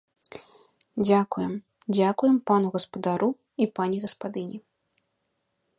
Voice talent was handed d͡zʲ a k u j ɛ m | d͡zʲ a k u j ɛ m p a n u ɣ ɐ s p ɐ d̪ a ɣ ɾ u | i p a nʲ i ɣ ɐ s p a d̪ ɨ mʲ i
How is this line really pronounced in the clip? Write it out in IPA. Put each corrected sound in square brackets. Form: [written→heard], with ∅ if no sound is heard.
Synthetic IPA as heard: d͡zʲ a k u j ɛ m | d͡zʲ a k u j ɛ m p a n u ɣ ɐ s p ɐ d̪ a [ɣ→∅] ɾ u | i p a nʲ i ɣ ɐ s p a d̪ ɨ [mʲ→nʲ] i